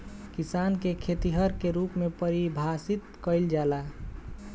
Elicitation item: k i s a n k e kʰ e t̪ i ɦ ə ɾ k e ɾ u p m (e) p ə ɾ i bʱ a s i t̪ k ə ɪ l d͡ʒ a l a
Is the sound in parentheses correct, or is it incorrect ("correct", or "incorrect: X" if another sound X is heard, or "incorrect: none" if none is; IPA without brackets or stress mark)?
correct